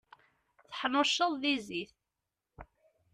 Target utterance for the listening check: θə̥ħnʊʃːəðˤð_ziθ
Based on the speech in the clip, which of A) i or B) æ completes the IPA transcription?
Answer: A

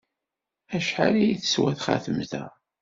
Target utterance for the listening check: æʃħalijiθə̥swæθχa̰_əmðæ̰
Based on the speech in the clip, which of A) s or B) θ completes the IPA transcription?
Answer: B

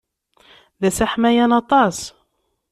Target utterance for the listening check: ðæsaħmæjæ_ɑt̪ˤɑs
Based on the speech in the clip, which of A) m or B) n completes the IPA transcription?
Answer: B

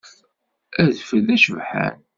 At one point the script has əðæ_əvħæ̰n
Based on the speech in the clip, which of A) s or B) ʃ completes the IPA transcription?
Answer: B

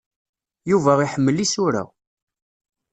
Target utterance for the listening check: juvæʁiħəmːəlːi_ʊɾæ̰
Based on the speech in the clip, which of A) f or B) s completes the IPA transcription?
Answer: B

